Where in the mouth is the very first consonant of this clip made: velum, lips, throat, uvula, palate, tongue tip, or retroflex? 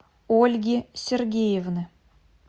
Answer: tongue tip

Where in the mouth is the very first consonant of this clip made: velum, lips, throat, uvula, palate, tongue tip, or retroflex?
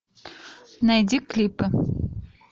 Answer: tongue tip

